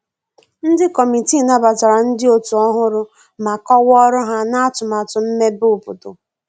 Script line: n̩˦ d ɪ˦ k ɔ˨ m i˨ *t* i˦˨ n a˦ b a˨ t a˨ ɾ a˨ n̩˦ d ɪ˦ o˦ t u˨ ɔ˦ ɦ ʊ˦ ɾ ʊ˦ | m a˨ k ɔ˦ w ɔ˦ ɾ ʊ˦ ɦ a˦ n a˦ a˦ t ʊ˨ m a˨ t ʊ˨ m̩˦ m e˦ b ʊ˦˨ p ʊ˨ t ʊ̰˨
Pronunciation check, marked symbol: correct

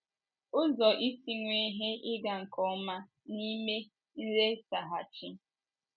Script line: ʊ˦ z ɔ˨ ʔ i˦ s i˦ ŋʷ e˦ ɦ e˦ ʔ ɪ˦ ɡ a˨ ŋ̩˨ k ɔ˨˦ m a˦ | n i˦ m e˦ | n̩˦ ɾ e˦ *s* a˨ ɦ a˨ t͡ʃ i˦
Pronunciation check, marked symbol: correct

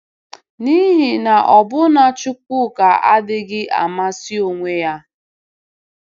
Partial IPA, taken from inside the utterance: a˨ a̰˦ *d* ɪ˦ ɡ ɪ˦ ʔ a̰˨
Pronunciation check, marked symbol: correct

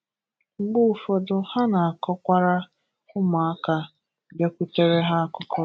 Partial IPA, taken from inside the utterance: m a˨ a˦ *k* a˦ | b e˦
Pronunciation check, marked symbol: correct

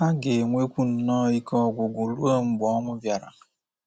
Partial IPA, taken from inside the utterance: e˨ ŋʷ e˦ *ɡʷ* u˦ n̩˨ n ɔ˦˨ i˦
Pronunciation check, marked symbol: incorrect: kʷ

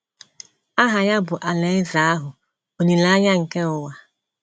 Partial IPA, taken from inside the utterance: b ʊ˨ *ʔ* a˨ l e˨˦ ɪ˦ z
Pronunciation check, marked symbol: correct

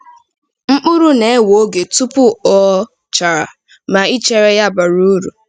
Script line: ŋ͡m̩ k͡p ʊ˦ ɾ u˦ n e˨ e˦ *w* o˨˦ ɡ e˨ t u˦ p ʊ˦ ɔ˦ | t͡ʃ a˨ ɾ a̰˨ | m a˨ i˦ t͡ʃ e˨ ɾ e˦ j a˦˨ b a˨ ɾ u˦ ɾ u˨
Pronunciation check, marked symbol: correct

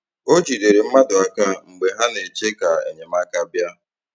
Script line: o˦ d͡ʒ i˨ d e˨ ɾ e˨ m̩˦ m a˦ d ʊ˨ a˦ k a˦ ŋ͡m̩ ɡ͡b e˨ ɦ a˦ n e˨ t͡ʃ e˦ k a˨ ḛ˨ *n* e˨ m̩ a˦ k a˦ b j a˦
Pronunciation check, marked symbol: incorrect: ɲ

